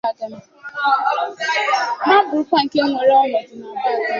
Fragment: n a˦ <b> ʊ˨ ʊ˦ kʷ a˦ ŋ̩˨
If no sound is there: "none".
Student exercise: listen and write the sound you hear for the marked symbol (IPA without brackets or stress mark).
b